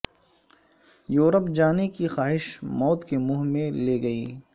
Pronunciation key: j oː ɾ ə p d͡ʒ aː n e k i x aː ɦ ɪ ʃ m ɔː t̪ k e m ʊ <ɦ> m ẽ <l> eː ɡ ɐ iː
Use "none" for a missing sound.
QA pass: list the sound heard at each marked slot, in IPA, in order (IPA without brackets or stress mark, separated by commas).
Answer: ɦ, l